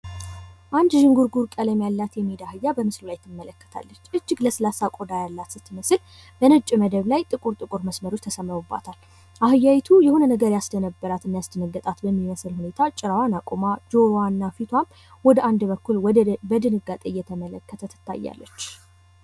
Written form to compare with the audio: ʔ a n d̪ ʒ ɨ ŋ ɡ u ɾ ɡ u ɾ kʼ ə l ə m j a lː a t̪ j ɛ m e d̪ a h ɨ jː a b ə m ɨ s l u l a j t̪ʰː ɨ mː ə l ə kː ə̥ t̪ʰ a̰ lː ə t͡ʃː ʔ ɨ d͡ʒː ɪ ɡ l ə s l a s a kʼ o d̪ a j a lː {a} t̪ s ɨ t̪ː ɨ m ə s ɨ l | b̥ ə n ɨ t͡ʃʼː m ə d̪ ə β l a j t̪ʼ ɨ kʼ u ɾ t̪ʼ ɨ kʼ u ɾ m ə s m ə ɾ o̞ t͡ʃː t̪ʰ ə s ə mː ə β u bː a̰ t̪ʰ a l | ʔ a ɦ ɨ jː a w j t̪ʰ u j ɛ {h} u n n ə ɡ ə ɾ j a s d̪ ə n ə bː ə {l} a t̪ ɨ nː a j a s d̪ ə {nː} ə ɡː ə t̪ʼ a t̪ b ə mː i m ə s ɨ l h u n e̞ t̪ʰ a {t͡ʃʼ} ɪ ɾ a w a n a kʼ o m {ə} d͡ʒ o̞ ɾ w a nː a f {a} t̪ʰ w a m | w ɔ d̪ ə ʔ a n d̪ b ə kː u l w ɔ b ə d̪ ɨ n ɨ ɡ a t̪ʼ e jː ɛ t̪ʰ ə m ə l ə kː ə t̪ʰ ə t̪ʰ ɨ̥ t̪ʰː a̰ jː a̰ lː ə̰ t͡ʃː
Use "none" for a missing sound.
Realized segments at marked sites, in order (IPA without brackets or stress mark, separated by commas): a, h, ɾ, n, t͡ʃʼ, a, i